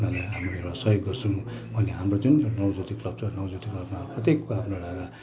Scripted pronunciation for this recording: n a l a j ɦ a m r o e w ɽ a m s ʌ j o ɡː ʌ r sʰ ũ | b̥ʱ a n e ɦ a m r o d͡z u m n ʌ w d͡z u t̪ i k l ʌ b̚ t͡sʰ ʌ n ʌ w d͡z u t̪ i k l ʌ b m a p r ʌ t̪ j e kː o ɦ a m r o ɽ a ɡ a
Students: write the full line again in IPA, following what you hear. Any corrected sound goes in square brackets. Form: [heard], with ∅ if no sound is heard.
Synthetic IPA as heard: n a l a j ɦ a m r o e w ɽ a [∅] s ʌ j o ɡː ʌ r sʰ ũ | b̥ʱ [ʌ] n e ɦ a m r o d͡z u [n] n ʌ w d͡z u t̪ i k l ʌ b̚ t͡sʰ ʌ n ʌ w d͡z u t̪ i k l ʌ b m a p r ʌ t̪ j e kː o ɦ a m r o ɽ a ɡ a